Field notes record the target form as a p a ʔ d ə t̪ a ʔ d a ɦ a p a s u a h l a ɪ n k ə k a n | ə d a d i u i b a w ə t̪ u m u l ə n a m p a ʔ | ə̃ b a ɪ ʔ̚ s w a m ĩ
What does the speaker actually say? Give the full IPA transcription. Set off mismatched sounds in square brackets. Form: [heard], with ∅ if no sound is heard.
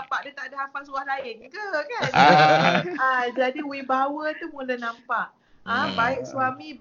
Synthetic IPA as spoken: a p a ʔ d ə t̪ a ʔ d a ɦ a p a s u a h l a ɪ n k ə k a n | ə [d͡ʒ] a d i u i b a w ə t̪ u m u l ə n a m p a ʔ | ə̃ b a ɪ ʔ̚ s w a m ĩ